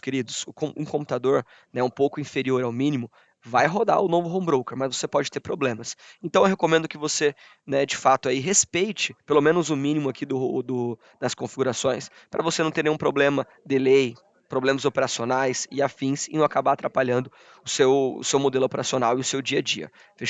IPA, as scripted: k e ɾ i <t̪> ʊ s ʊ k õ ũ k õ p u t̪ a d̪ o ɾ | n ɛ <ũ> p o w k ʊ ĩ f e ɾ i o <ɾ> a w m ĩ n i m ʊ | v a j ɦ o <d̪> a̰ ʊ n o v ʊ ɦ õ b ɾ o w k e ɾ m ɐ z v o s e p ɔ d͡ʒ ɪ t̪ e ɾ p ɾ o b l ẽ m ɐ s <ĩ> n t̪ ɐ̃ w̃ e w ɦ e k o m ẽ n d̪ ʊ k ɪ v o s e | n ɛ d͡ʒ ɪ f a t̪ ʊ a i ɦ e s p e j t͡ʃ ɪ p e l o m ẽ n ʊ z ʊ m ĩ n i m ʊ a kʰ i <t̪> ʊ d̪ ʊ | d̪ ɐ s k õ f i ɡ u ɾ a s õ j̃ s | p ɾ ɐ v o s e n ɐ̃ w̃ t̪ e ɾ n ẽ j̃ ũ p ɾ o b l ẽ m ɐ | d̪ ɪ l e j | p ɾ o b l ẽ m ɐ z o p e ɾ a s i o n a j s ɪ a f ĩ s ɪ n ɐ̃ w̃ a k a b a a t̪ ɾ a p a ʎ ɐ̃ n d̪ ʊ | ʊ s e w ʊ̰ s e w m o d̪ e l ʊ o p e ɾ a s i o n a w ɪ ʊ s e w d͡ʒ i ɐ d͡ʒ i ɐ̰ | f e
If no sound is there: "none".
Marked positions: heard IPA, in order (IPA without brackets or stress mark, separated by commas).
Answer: d̪, ũ, ɾ, d̪, ẽ, d̪